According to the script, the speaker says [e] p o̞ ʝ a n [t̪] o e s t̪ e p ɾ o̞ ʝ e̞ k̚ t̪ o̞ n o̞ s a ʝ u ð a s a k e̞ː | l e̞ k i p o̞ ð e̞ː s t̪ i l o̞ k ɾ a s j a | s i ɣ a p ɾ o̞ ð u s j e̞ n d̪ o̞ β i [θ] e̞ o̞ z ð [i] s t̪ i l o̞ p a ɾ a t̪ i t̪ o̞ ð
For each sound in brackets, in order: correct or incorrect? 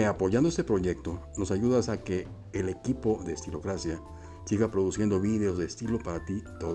incorrect, incorrect, incorrect, incorrect

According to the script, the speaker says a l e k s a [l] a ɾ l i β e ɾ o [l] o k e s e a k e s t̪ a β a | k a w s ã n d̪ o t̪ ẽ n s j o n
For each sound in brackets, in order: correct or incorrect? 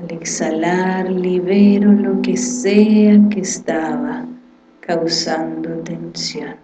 correct, correct

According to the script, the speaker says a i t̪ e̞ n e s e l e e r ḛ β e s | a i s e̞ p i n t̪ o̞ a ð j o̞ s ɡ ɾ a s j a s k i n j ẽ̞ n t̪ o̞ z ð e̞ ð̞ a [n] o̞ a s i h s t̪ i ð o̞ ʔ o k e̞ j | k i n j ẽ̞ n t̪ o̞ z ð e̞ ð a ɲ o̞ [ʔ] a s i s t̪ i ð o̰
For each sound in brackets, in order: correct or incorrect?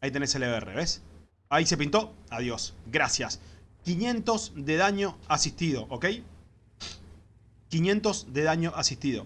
incorrect, correct

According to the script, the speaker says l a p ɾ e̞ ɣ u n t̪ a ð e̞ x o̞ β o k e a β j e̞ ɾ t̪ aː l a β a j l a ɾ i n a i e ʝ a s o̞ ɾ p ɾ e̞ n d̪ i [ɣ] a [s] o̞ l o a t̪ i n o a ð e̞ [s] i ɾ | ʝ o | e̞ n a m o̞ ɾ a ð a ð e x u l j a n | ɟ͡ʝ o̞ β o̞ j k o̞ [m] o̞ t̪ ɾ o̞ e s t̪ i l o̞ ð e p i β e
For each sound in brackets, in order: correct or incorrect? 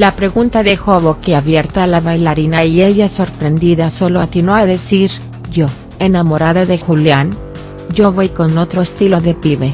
incorrect, correct, correct, incorrect

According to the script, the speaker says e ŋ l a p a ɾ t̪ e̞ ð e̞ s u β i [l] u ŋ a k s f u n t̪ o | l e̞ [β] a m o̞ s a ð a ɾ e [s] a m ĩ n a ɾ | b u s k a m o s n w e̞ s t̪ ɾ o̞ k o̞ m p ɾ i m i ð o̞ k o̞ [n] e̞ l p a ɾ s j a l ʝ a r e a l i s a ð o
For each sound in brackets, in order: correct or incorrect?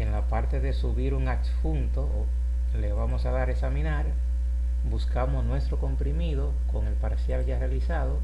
incorrect, correct, correct, incorrect

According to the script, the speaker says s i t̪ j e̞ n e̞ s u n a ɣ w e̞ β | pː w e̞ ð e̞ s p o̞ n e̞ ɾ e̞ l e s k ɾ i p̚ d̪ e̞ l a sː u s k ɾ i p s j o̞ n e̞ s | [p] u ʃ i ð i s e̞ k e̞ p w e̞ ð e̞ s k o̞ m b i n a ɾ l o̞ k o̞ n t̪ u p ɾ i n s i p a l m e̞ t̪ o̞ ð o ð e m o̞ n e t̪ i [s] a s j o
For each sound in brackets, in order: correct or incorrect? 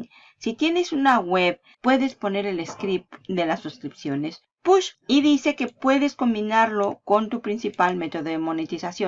correct, correct

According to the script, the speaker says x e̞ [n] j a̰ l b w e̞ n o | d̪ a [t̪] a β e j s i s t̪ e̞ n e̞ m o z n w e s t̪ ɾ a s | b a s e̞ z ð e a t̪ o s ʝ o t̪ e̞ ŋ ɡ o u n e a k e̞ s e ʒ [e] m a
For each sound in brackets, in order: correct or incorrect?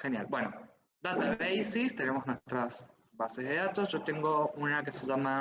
correct, correct, incorrect

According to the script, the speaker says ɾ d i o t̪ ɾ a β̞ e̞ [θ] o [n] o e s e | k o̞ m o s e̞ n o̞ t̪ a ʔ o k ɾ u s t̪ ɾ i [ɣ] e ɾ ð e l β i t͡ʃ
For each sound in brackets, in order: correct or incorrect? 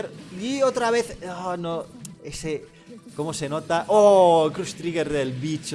correct, correct, correct

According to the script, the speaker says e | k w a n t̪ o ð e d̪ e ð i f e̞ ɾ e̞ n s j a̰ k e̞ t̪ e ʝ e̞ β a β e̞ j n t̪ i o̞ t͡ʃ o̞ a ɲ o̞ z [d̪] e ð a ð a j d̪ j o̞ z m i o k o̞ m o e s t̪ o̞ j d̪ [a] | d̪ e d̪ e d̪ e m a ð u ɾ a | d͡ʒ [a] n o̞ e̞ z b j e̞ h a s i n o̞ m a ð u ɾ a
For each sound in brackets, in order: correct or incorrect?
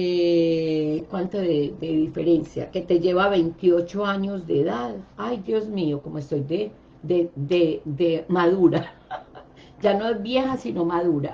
correct, incorrect, correct

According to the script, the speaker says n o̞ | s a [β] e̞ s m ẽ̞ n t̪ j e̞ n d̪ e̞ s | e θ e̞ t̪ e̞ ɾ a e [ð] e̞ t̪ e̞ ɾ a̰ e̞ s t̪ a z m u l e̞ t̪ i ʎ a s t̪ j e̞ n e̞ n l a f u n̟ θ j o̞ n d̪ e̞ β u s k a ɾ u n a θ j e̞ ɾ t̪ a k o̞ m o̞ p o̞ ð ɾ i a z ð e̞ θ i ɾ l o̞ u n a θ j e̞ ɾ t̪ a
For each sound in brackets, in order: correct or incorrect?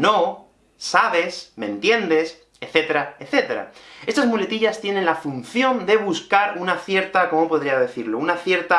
correct, incorrect

